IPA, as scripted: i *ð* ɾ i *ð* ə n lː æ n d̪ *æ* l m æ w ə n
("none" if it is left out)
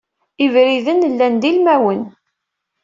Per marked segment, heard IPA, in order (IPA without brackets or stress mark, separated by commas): v, ð, i